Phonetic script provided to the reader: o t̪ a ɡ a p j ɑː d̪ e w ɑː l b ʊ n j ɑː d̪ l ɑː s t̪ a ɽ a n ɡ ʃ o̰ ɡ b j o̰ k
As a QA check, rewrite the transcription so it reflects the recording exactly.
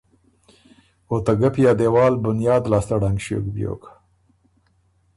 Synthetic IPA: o t̪ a ɡ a p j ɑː d̪ e w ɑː l b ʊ n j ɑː d̪ l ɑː s t̪ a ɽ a ŋ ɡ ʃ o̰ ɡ b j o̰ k